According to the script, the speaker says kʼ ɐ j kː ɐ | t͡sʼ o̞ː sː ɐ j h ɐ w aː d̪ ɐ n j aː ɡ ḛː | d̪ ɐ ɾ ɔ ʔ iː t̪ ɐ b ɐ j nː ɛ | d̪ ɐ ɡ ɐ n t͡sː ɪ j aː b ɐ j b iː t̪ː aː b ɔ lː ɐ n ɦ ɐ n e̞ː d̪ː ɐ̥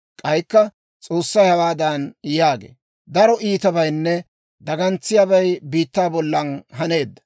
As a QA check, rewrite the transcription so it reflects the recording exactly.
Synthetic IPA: kʼ ɐ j kː ɐ | t͡sʼ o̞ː sː ɐ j h ɐ w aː d̪ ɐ n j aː ɡ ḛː | d̪ ɐ ɾ ɔ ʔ iː t̪ ɐ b ɐ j nː ɛ | d̪ ɐ ɡ ɐ n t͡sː ɪ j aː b ɐ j b iː t̪ː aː b ɔ lː ɐ n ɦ ɐ n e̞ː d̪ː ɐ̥